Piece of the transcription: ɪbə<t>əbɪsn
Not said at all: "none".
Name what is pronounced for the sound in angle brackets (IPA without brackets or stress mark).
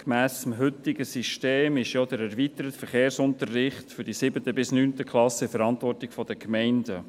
t